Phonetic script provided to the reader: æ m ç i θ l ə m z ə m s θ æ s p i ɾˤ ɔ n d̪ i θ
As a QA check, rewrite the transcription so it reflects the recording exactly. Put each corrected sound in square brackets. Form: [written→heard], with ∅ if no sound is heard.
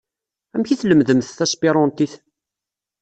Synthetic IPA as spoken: æ m ç i θ l ə m [z→ð] ə m [s→θ] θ æ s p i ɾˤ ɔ n [d̪→t̪] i θ